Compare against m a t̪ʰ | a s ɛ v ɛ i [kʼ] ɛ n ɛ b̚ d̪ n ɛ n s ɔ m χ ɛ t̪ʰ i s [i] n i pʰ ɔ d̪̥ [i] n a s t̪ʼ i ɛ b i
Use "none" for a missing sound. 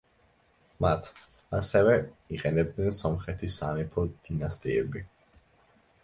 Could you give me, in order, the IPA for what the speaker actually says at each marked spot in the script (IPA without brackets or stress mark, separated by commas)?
qʼ, a, i